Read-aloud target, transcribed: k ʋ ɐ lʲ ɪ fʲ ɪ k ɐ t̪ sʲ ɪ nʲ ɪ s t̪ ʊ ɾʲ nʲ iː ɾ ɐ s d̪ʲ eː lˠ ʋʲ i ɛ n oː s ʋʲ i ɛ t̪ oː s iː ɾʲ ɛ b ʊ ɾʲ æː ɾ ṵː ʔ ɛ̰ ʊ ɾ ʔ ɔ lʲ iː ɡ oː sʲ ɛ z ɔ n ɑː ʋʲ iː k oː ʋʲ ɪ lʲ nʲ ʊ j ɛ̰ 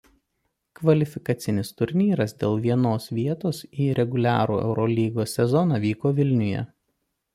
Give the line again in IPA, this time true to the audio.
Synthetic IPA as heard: k ʋ ɐ lʲ ɪ fʲ ɪ k ɐ t̪ sʲ ɪ nʲ ɪ s t̪ ʊ ɾʲ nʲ iː ɾ ɐ s d̪ʲ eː lˠ ʋʲ i ɛ n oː s ʋʲ i ɛ t̪ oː s iː ɾʲ ɛ ɡ ʊ lʲ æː ɾ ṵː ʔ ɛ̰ ʊ ɾ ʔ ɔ lʲ iː ɡ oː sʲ ɛ z ɔ n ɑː ʋʲ iː k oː ʋʲ ɪ lʲ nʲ ʊ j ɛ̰

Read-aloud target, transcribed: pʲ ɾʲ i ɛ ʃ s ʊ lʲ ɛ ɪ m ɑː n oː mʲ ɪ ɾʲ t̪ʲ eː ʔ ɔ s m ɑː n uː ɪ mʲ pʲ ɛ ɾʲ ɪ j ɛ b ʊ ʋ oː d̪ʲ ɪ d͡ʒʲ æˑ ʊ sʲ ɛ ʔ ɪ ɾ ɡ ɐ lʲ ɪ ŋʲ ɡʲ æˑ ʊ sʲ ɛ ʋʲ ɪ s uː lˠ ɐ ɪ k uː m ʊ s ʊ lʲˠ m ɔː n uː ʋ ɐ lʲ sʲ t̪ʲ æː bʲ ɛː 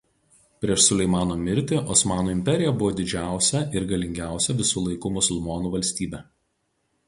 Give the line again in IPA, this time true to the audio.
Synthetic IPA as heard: pʲ ɾʲ i ɛ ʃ s ʊ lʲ ɛ ɪ m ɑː n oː mʲ ɪ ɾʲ t̪ʲ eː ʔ ɔ s m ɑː n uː ɪ mʲ pʲ ɛ ɾʲ ɪ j ɛ b ʊ ʋ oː d̪ʲ ɪ d͡ʒʲ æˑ ʊ sʲ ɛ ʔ ɪ ɾ ɡ ɐ lʲ ɪ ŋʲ ɡʲ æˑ ʊ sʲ ɛ ʋʲ ɪ s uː lˠ ɐ ɪ k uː m ʊ s ʊ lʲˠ m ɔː n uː ʋ ɐ lʲ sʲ t̪ʲ iː bʲ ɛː

